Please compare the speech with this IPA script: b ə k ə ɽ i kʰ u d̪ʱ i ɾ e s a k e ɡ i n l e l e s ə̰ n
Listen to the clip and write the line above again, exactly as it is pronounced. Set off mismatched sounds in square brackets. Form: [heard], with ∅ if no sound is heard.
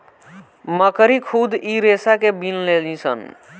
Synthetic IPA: [m] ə k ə [ɾ] i kʰ u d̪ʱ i ɾ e s a k e [b] i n l e l [i] s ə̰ n